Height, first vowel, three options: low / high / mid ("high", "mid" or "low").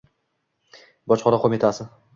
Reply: low